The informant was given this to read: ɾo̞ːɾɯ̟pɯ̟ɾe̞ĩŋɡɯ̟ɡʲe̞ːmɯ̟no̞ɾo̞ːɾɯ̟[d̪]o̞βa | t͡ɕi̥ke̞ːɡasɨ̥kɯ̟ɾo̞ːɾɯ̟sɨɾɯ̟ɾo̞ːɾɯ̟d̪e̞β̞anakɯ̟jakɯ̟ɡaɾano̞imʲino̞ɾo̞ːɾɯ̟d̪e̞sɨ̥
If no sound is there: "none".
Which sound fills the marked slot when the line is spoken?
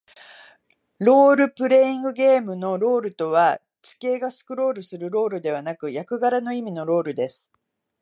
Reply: t̪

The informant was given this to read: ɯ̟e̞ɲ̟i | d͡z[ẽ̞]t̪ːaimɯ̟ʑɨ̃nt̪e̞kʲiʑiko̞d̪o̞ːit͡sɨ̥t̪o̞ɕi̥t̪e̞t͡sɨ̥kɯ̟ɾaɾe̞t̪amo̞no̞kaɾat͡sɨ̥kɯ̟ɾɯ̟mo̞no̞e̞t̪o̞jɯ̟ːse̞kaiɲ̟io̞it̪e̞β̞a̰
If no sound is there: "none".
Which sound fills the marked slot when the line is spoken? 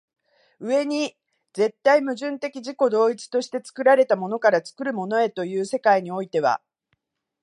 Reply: e̞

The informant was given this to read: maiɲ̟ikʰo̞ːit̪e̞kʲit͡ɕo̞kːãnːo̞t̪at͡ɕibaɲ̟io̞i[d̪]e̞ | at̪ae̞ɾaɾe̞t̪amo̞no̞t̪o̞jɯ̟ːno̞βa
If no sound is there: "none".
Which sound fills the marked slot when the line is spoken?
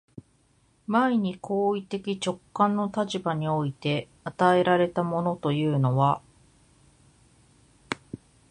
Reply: t̪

